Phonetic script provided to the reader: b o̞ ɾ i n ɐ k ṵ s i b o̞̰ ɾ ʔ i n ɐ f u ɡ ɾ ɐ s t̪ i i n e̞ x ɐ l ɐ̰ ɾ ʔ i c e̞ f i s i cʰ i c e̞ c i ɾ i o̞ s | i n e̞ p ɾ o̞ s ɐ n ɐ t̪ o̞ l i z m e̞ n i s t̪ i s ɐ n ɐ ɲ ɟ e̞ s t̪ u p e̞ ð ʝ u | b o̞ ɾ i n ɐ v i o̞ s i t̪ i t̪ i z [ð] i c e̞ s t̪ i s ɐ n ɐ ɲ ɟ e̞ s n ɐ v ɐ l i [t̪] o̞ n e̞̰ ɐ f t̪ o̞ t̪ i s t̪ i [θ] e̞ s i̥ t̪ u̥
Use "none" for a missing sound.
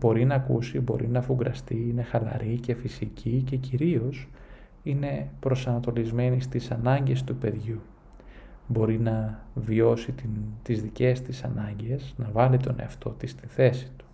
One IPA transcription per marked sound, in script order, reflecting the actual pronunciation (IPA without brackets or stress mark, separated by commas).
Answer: ð, t̪, θ